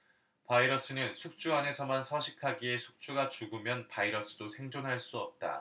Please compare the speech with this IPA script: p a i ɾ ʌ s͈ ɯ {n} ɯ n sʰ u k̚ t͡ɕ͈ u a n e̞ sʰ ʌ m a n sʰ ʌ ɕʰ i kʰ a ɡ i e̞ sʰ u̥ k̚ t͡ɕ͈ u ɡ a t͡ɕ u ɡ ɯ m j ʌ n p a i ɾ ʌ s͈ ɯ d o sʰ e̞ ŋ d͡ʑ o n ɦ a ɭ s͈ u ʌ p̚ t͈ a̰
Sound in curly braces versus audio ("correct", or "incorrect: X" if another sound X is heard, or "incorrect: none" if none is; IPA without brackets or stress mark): correct